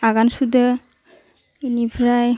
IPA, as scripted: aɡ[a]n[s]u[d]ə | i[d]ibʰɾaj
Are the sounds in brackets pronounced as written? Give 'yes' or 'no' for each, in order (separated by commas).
yes, yes, yes, no